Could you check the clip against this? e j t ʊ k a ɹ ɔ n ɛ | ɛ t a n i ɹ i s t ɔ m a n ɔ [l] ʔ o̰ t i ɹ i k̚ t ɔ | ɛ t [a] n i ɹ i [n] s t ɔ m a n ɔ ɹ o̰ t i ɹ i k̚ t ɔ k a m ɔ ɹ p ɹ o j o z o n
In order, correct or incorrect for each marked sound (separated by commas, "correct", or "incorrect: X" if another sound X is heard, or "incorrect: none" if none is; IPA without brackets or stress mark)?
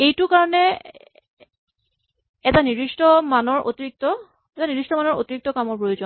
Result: incorrect: ɹ, correct, incorrect: none